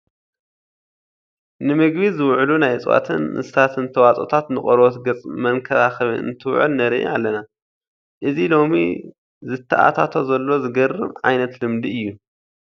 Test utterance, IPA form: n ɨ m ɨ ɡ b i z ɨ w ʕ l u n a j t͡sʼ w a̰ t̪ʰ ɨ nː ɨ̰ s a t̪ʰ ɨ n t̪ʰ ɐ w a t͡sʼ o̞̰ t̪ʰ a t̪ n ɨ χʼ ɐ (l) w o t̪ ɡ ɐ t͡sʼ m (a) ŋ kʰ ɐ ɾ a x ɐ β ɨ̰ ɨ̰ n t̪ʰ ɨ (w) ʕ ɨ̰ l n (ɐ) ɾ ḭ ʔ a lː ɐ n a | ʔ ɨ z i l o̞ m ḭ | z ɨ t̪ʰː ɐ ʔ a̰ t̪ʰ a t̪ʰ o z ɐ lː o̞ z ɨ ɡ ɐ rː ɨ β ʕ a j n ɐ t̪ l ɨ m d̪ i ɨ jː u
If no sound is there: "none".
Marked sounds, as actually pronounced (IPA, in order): ɾ, ɐ, w, ɐ

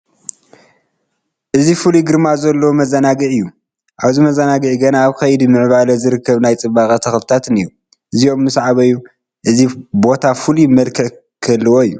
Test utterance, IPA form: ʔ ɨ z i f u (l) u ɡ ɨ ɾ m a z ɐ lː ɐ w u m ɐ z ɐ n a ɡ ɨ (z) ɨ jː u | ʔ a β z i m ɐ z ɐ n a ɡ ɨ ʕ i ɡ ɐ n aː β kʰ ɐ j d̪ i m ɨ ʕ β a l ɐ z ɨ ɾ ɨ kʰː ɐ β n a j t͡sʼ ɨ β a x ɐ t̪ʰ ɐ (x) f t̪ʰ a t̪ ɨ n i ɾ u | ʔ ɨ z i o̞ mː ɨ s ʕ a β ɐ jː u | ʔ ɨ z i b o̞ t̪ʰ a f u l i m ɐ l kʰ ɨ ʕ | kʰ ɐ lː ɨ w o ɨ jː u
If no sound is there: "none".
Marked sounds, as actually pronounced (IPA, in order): l, ʕ, x

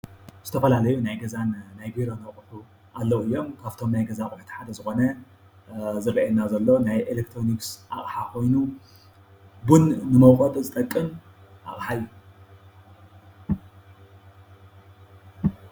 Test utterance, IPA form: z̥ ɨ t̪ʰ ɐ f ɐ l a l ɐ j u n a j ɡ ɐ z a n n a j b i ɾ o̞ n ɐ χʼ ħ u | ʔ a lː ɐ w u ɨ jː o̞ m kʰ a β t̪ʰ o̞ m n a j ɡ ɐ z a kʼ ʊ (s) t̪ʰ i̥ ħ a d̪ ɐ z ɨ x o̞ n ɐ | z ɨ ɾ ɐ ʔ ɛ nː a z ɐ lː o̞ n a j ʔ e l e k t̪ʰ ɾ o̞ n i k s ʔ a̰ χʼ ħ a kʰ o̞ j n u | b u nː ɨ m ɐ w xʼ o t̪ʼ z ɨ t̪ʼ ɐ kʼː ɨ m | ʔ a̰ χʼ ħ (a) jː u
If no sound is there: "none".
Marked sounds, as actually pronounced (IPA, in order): ħ, a

